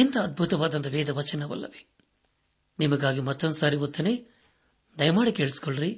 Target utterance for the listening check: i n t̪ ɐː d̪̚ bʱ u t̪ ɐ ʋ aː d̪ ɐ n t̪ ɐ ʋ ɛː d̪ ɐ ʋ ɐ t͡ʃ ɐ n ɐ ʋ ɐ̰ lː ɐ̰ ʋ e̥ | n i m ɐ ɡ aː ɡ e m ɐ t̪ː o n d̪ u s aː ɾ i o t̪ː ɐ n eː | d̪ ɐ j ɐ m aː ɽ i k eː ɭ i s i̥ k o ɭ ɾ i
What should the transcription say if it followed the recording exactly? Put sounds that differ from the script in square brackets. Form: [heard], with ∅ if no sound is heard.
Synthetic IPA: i n t̪ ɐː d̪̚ bʱ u t̪ ɐ ʋ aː d̪ ɐ n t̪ ɐ ʋ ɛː d̪ ɐ ʋ ɐ t͡ʃ ɐ n ɐ ʋ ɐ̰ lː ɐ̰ ʋ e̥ | n i m ɐ ɡ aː ɡ [i] m ɐ t̪ː o n d̪ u s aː ɾ i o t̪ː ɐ n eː | d̪ ɐ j ɐ m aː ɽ i k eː ɭ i s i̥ k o ɭ ɾ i